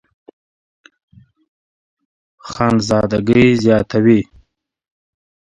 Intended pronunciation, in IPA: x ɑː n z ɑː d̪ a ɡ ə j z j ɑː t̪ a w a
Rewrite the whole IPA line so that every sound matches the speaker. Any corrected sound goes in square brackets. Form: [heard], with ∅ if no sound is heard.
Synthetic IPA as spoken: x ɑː n z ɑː d̪ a ɡ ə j z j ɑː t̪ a w [i]